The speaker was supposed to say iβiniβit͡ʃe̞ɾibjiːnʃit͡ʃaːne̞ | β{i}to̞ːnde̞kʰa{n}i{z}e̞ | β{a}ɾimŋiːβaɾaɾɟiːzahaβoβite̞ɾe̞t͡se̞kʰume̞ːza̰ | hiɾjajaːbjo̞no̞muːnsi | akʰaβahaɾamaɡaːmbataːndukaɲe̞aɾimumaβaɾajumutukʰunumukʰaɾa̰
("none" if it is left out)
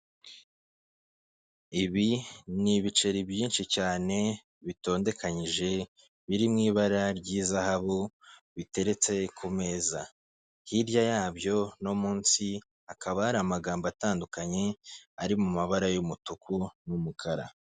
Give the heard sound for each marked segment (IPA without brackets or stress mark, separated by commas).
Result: i, ɲ, ʒ, i